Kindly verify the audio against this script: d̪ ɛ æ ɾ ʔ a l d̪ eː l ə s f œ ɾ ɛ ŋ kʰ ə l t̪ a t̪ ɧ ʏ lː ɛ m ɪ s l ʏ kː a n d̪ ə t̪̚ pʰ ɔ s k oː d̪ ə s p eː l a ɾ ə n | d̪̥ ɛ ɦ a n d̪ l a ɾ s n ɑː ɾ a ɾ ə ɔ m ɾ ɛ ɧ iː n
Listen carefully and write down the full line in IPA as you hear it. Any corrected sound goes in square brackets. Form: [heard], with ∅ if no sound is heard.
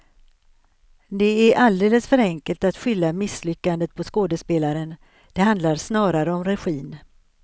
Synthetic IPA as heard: d̪ ɛ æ ɾ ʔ a l d̪ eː l ə s f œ ɾ ɛ ŋ [k] ə l t̪ a t̪ ɧ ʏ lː [a] m ɪ s l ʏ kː a n d̪ ə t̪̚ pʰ ɔ s k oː d̪ ə s p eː l a ɾ ə n | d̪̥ ɛ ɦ a n d̪ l a ɾ s n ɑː ɾ a ɾ ə ɔ m ɾ ɛ ɧ iː n